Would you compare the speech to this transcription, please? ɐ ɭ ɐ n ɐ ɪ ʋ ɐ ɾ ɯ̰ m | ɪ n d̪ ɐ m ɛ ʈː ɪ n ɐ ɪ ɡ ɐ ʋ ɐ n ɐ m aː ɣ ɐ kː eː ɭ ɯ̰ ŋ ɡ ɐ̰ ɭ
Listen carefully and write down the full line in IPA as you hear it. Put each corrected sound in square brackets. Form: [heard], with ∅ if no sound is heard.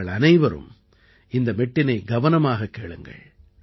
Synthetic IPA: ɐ ɭ ɐ n ɐ ɪ ʋ ɐ ɾ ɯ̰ m | ɪ n d̪ ɐ m ɛ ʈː ɪ n ɐ ɪ ɡ ɐ ʋ ɐ n ɐ m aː ɣ ɐ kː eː ɭ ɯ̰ ŋ ɡ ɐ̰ ɭ